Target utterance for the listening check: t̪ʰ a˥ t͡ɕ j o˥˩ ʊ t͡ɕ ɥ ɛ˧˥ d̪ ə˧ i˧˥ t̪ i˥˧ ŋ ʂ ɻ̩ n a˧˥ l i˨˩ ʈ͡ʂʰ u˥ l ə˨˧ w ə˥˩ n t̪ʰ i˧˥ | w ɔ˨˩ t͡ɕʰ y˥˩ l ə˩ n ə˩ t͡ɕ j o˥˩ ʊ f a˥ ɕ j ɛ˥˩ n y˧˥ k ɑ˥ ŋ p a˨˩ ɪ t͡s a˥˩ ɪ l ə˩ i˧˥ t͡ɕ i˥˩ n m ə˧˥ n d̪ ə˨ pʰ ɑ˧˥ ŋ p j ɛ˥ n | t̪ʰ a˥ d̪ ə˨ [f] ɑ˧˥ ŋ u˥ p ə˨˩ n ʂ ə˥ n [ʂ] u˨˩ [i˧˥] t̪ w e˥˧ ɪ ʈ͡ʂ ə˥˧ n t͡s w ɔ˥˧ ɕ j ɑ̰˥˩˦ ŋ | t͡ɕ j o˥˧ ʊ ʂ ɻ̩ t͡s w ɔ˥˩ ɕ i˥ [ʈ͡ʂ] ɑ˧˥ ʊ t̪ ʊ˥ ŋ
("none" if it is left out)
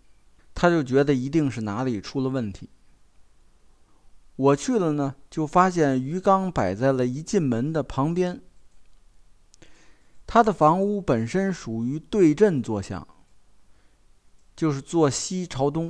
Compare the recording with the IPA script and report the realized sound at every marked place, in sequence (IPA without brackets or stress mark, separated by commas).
f, ʂ, y˧˥, ʈ͡ʂʰ